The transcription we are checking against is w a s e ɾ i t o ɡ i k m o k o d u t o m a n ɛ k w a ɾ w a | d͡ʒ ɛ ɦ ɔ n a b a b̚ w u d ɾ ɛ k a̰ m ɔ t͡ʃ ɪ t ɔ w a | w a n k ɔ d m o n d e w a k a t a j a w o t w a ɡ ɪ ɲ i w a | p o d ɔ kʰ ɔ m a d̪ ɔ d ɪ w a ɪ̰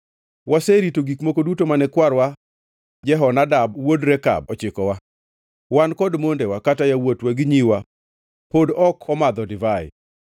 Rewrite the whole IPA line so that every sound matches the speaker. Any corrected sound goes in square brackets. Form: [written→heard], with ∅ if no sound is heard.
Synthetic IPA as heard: w a s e ɾ i t o ɡ i k m o k o d u t o m a n ɛ k w a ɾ w a | d͡ʒ ɛ ɦ ɔ n a [b→d] a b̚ w [u→o] d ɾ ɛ k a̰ [m→b] ɔ t͡ʃ ɪ [t→k] ɔ w a | w a n k ɔ d m o n d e w a k a t a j a w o t w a ɡ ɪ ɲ i w a | p o d ɔ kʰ ɔ m a d̪ ɔ d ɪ [w→v] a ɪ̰